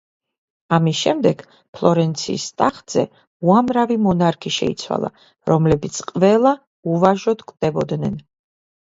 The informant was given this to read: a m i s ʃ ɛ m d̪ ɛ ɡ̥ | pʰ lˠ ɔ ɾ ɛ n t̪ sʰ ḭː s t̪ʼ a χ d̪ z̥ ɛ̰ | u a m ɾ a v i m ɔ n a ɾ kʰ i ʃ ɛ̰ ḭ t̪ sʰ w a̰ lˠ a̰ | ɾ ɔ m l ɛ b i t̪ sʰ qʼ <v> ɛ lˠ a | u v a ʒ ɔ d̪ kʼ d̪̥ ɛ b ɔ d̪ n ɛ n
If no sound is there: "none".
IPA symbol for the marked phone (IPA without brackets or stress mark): v